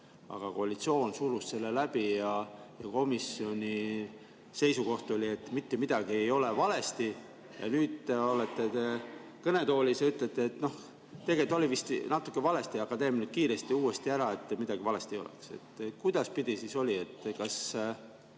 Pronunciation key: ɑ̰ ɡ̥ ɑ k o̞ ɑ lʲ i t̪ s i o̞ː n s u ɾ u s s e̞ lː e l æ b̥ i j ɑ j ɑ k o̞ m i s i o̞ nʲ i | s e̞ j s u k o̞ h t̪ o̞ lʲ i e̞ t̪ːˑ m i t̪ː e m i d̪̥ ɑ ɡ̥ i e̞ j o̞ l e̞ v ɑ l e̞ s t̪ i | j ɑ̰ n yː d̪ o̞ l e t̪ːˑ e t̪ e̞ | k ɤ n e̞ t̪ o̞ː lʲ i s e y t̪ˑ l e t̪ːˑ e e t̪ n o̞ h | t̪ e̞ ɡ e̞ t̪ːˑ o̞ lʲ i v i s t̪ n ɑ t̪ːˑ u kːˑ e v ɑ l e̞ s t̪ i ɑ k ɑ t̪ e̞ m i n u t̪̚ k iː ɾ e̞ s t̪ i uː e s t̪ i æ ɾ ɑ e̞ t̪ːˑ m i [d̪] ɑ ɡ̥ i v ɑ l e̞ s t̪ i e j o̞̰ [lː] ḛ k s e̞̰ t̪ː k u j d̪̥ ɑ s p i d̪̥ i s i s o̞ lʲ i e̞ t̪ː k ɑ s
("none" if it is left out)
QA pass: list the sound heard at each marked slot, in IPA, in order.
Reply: d̪, l

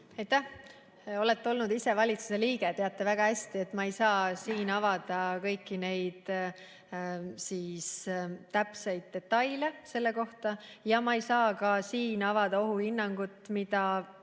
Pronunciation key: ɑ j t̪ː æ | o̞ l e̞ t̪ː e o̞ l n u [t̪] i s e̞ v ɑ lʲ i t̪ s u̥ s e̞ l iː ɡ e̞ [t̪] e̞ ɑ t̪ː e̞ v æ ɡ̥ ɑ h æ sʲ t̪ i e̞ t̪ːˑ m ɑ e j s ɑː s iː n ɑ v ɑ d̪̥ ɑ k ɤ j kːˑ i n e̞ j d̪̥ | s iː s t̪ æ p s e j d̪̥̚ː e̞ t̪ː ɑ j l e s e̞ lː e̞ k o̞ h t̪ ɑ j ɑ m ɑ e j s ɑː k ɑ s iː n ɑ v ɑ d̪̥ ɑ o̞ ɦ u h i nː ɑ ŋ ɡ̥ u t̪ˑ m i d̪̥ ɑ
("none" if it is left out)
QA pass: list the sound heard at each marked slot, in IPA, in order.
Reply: d̪, t̪

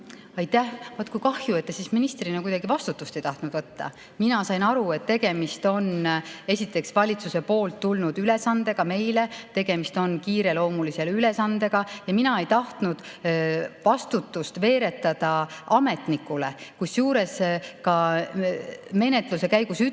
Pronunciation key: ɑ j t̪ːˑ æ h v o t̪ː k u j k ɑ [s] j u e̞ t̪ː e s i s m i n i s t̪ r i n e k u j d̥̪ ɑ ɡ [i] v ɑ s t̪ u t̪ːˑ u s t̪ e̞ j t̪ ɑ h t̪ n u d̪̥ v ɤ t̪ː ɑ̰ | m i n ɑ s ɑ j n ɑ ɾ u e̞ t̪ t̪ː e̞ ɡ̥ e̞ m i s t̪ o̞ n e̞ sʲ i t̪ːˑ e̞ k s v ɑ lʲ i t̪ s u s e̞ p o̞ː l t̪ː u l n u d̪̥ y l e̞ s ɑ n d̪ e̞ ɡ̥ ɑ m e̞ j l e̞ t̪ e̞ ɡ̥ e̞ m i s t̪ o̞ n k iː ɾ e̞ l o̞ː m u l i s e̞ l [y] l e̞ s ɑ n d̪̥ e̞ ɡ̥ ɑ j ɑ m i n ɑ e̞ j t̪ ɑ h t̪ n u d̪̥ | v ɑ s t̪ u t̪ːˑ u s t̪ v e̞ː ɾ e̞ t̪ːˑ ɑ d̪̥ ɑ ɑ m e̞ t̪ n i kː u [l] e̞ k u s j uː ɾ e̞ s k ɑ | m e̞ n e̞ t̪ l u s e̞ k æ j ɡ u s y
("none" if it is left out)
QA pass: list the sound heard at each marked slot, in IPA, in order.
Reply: h, i, y, l

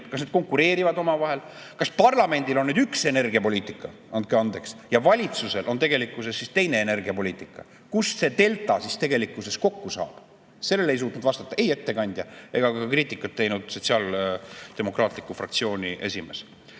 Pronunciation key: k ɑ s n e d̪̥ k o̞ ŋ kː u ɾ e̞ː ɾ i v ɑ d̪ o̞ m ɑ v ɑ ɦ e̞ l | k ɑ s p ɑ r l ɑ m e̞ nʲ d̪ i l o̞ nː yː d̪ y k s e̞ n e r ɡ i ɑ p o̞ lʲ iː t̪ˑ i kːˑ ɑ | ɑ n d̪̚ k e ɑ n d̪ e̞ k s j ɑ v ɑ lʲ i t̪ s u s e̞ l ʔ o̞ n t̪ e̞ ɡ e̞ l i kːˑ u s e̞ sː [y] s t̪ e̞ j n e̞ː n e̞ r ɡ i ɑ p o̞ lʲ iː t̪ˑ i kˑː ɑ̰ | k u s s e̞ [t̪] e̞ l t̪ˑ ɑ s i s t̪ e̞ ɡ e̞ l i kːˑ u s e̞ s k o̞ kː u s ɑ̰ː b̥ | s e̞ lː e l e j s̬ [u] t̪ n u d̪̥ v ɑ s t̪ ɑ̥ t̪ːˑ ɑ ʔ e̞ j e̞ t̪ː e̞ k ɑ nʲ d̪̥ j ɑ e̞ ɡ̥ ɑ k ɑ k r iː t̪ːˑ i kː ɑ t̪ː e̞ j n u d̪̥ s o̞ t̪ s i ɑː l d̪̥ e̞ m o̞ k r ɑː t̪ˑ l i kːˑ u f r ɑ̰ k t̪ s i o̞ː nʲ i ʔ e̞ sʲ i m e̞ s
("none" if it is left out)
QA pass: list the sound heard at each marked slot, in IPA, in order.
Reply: i, t̪, uː

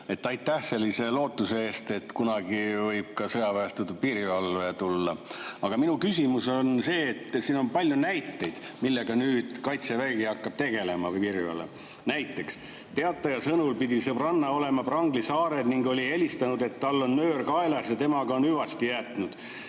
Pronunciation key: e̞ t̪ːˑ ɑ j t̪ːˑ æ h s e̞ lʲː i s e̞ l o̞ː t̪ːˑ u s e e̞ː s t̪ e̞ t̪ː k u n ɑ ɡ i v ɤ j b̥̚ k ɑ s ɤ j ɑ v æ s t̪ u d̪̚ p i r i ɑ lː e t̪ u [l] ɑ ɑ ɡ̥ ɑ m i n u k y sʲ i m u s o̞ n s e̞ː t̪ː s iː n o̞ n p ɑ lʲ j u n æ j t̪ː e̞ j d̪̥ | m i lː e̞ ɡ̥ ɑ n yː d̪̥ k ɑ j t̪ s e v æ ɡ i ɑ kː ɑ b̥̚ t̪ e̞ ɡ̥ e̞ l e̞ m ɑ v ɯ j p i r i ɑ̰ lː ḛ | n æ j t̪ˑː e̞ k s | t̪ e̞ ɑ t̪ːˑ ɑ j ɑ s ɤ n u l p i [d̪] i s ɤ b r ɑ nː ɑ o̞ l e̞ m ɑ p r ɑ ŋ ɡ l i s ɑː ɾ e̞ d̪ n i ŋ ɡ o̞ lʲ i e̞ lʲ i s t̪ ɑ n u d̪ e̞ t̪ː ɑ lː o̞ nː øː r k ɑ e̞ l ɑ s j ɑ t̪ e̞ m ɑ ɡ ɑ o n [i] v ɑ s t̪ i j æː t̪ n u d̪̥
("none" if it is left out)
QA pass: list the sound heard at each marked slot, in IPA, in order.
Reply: lː, d̪, y

